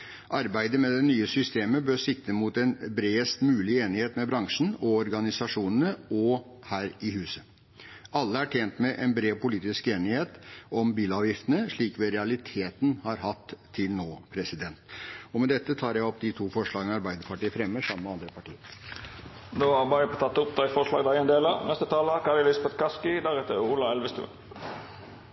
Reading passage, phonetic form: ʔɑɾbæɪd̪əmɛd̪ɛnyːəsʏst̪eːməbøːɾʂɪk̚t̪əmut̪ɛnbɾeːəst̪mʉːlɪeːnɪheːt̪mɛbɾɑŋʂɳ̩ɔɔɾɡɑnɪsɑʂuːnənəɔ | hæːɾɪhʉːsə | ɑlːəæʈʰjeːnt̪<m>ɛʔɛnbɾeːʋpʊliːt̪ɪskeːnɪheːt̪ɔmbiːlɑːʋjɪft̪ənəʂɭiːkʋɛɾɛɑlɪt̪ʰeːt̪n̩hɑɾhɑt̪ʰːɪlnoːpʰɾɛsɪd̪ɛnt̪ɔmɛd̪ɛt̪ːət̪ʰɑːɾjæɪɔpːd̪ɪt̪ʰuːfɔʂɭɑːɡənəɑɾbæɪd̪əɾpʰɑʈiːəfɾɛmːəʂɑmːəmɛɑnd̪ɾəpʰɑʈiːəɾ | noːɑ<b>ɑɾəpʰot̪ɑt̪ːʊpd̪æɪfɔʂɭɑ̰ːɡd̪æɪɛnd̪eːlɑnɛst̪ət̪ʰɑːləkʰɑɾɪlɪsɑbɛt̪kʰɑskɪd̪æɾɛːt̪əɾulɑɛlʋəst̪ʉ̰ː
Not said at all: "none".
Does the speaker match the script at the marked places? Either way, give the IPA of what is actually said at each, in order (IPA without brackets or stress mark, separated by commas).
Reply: m, b